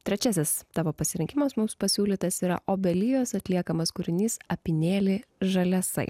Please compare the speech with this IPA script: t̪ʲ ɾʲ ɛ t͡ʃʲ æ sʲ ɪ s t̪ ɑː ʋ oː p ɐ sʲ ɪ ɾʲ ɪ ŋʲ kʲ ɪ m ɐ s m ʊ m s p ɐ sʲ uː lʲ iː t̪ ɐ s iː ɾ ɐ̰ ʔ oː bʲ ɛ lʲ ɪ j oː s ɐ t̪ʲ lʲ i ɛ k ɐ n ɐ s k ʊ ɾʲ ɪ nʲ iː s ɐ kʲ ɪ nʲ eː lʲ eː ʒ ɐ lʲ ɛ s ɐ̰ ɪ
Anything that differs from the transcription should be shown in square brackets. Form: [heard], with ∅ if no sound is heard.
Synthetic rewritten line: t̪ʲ ɾʲ ɛ t͡ʃʲ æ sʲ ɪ s t̪ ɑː ʋ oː p ɐ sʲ ɪ ɾʲ ɪ ŋʲ kʲ ɪ m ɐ s m ʊ m s p ɐ sʲ uː lʲ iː t̪ ɐ s iː ɾ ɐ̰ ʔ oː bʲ ɛ lʲ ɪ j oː s ɐ t̪ʲ lʲ i ɛ k ɐ [m] ɐ s k ʊ ɾʲ ɪ nʲ iː s ɐ [pʲ] ɪ nʲ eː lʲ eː ʒ ɐ lʲ ɛ s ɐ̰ ɪ